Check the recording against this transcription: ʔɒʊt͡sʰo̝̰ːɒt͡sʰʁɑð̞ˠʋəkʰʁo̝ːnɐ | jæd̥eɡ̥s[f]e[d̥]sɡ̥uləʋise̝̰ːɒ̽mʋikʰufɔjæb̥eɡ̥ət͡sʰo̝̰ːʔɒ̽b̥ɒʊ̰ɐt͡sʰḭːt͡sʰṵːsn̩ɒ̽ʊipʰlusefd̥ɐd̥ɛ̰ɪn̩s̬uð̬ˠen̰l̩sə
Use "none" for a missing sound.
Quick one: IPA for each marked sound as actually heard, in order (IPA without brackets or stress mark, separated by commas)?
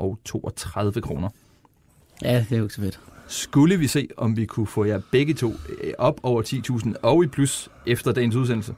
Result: f, d̥